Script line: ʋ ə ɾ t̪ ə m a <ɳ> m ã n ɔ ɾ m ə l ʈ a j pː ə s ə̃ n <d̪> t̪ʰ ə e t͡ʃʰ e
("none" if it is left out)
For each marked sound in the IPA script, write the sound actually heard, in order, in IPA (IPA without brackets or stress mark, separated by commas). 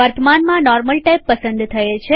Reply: n, d̪